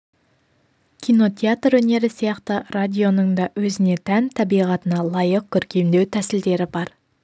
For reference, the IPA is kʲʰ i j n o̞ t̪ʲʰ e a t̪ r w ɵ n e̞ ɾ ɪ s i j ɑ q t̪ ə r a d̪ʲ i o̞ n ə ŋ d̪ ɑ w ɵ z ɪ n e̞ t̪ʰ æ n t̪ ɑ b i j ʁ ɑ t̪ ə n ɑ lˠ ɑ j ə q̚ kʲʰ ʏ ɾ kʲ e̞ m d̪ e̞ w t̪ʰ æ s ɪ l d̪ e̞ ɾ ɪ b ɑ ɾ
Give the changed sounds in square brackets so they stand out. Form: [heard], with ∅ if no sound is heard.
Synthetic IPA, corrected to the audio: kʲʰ i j n o̞ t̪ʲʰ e a t̪ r w ɵ n e̞ ɾ ɪ s i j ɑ q t̪ ə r a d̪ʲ i o̞ n ə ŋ d̪ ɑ w ɵ z ɪ n e̞ t̪ʰ æ n [t̪ʰ] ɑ b i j ʁ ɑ t̪ ə n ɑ lˠ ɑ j ə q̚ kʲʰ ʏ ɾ kʲ e̞ m d̪ e̞ w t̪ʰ æ s ɪ l d̪ e̞ ɾ ɪ b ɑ ɾ

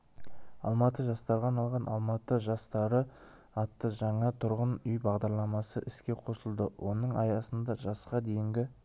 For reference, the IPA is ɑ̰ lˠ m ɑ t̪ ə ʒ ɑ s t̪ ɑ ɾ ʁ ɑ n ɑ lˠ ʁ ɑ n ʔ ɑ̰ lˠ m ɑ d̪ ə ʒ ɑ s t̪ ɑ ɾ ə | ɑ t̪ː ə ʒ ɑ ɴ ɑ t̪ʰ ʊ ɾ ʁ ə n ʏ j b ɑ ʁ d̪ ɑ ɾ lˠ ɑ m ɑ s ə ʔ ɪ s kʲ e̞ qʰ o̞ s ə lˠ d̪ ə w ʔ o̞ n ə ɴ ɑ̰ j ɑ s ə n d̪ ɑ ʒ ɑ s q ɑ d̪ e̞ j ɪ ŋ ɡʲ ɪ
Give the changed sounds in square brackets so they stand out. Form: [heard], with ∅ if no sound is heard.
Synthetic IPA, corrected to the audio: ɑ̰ lˠ m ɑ t̪ ə ʒ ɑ s t̪ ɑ ɾ ʁ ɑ n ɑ lˠ ʁ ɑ n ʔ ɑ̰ lˠ m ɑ [t̪] ə ʒ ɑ s t̪ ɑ ɾ ə | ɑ t̪ː ə ʒ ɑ ɴ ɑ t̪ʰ ʊ ɾ ʁ ə n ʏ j b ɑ ʁ d̪ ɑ ɾ lˠ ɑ m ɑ s ə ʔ ɪ s kʲ e̞ qʰ o̞ s ə lˠ d̪ ə w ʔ o̞ n ə ɴ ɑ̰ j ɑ s ə n d̪ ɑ ʒ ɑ s q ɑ d̪ e̞ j ɪ ŋ ɡʲ ɪ

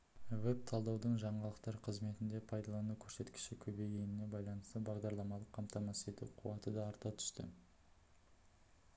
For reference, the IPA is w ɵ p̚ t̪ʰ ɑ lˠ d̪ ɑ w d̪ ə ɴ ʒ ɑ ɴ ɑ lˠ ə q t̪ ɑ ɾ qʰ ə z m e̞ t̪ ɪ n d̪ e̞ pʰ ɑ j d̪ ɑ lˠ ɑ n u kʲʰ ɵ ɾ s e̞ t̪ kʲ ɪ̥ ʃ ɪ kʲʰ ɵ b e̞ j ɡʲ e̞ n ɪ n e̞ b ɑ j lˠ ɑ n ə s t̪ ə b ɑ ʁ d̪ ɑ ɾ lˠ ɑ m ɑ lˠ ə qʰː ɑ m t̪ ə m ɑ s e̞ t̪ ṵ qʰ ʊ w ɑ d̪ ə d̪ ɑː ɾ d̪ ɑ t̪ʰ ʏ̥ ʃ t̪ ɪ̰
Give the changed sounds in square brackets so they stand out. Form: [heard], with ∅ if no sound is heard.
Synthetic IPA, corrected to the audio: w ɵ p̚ t̪ʰ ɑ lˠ d̪ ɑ w d̪ ə ɴ ʒ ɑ ɴ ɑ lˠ ə q t̪ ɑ ɾ qʰ ə z m e̞ t̪ ɪ n d̪ e̞ pʰ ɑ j d̪ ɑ lˠ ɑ n u kʲʰ ɵ ɾ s e̞ t̪ kʲ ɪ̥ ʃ ɪ kʲʰ ɵ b e̞ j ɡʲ e̞ n ɪ n e̞ b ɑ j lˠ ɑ n ə s t̪ ə b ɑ ʁ d̪ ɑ ɾ lˠ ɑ m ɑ lˠ ə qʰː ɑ m t̪ [ɑ] m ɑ s e̞ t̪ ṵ qʰ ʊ w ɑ [t̪] ə d̪ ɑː ɾ [t̪] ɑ t̪ʰ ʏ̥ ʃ t̪ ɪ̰

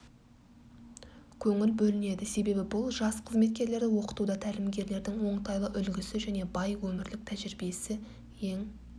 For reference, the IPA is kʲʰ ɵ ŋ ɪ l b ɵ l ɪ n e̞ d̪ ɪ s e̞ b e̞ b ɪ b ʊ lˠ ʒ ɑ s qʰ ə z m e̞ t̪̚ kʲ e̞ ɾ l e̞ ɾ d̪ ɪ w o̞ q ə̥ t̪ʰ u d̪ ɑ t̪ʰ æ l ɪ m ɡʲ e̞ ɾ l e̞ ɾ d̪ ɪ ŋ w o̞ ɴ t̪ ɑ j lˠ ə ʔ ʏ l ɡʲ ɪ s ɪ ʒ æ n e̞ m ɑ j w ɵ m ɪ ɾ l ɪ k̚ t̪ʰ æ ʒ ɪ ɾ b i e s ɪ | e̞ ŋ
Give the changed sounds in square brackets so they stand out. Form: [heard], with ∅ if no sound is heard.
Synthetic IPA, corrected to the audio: kʲʰ ɵ ŋ ɪ l b ɵ l ɪ n e̞ d̪ ɪ s e̞ b e̞ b ɪ b ʊ lˠ ʒ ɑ s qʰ ə z m e̞ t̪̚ kʲ e̞ ɾ l e̞ ɾ d̪ ɪ w o̞ q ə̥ [t̪] u d̪ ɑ t̪ʰ æ l ɪ m ɡʲ e̞ ɾ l e̞ ɾ d̪ ɪ ŋ w o̞ ɴ t̪ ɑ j lˠ ə ʔ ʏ l ɡʲ ɪ s ɪ ʒ æ n e̞ [b] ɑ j w ɵ m ɪ ɾ l ɪ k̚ t̪ʰ æ ʒ ɪ ɾ b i e s ɪ | e̞ ŋ

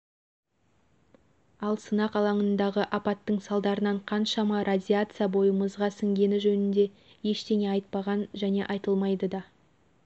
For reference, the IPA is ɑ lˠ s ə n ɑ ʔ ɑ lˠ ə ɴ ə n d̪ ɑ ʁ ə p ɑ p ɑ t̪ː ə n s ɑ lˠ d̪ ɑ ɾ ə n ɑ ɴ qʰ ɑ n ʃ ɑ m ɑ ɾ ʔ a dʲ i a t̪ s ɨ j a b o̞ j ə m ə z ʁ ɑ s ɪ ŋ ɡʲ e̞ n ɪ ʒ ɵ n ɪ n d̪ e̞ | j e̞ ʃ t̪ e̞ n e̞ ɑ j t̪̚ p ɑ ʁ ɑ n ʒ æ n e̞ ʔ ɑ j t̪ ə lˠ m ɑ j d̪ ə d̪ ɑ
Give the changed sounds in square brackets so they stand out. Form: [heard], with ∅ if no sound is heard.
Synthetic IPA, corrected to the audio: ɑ lˠ s ə n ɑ [q] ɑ lˠ [ɑ] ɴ ə n d̪ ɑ ʁ ə [ʔ] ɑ p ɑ t̪ː ə [ɴ] s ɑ lˠ d̪ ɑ ɾ ə n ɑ ɴ qʰ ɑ n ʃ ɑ m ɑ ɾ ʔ a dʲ i a t̪ s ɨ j a b o̞ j ə m ə z ʁ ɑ s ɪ ŋ ɡʲ e̞ n ɪ ʒ ɵ n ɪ n d̪ e̞ | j e̞ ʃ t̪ e̞ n e̞ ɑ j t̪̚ p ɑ ʁ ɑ n ʒ æ n e̞ ʔ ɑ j t̪ ə lˠ m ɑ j d̪ ə d̪ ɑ

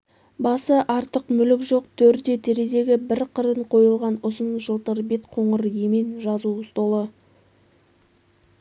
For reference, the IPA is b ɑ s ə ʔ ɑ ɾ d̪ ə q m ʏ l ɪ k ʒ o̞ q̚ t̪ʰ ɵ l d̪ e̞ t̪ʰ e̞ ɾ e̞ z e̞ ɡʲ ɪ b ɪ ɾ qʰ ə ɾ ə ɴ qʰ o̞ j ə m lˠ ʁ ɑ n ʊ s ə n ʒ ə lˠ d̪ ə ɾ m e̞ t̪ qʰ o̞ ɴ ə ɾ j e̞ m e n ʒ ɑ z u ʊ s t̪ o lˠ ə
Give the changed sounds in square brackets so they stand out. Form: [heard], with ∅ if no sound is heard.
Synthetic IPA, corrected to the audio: b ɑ s ə ʔ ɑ ɾ [t̪] ə q m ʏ l ɪ k ʒ o̞ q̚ t̪ʰ ɵ [ɾ] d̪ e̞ t̪ʰ e̞ ɾ e̞ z e̞ ɡʲ ɪ b ɪ ɾ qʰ ə ɾ ə ɴ qʰ o̞ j ə [∅] lˠ ʁ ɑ n ʊ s ə n ʒ ə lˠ [t̪] ə ɾ [b] e̞ t̪ qʰ o̞ ɴ ə ɾ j e̞ m e n ʒ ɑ z u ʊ s t̪ o lˠ ə

